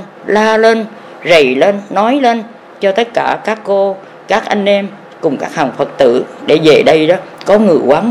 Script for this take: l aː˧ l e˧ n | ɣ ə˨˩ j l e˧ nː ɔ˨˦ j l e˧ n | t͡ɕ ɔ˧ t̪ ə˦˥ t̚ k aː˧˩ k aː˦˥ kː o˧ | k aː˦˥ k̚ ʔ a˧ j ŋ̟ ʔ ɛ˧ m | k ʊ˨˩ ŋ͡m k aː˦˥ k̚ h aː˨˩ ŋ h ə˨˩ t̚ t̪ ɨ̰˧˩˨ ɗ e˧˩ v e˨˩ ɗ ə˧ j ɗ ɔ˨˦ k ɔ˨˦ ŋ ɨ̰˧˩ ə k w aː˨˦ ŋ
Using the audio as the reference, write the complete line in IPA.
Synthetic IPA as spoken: l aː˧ l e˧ n | z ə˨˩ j l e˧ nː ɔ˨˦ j l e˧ n | t͡ɕ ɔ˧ t̪ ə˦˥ t̚ k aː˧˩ k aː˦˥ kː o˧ | k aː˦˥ k̚ ʔ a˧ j ŋ̟ ʔ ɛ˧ m | k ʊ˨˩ ŋ͡m k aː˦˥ k̚ h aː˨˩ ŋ f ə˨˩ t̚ t̪ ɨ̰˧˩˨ ɗ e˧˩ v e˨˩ ɗ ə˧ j ɗ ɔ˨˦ k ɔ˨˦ ŋ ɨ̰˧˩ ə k w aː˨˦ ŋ

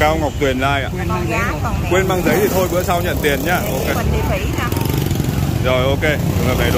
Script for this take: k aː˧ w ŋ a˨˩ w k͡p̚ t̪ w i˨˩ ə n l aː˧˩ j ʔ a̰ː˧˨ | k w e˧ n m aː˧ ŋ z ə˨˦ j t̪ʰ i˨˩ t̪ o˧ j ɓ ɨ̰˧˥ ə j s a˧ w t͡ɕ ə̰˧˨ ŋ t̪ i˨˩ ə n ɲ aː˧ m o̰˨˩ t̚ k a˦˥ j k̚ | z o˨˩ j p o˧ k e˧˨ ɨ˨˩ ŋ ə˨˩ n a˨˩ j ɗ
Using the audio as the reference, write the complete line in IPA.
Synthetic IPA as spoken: k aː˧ w ŋ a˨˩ w k͡p̚ t̪ w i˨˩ ə n l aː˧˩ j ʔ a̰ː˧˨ | k w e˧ n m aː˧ ŋ z ə˨˦ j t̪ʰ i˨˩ t̪ʰ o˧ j ɓ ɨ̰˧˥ ə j s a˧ w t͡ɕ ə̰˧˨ n t̪ i˨˩ ə n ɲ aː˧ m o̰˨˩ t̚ k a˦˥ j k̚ | z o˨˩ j ʔ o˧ k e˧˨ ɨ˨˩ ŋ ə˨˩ n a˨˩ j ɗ

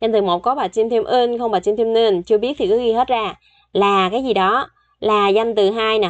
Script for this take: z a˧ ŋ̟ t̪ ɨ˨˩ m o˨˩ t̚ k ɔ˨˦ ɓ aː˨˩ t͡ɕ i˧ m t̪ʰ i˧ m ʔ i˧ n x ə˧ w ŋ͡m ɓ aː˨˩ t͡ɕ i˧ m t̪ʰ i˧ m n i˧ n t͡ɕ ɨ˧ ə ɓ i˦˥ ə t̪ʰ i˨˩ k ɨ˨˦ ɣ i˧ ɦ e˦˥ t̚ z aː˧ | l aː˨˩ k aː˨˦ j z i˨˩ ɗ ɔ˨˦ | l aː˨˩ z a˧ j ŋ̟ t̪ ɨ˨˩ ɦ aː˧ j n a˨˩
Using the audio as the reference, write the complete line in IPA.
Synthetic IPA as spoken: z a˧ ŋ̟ t̪ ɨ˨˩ m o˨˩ t̚ k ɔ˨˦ ɓ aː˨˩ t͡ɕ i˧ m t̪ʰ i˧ m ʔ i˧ n x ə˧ w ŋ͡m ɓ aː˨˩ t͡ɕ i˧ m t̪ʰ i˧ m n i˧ n t͡ɕ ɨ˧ ə ɓ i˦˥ ə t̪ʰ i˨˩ k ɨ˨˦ ɣ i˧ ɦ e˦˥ t̚ z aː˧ | l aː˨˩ k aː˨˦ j z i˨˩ ɗ ɔ˨˦ | l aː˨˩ z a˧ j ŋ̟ t̪ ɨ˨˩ ɦ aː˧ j n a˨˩

